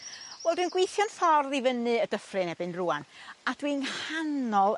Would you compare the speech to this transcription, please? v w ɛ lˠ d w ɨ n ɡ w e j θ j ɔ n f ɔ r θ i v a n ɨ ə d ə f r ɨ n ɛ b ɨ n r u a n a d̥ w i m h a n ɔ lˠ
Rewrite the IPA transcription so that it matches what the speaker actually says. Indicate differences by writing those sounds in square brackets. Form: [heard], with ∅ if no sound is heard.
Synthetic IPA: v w ɛ lˠ d w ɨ n ɡ w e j θ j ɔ n f ɔ r [ð] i v [ə] n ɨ ə d ə f r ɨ n ɛ b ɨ n r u a n a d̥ w i [n] h a n ɔ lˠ